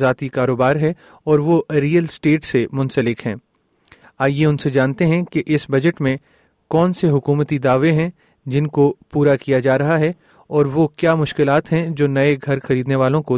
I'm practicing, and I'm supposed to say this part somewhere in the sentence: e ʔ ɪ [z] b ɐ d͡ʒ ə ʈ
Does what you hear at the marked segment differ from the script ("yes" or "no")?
yes